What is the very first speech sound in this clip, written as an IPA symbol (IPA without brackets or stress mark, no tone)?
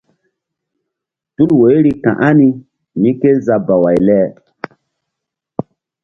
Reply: t